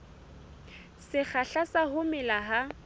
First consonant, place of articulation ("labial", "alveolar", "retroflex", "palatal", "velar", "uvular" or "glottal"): alveolar